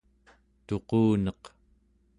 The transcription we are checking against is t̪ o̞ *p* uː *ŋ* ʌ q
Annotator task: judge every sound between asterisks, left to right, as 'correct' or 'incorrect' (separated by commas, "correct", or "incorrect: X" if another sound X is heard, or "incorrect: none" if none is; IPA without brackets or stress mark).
incorrect: q, incorrect: n